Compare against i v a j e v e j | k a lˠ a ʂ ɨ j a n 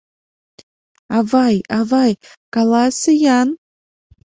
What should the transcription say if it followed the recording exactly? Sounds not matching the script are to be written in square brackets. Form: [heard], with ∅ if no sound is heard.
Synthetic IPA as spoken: [a] v a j [a] v [a] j | k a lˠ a [s] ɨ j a n